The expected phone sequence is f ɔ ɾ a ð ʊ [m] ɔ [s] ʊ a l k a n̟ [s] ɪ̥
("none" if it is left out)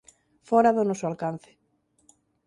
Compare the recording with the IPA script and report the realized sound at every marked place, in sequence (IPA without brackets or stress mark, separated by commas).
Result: n, s, θ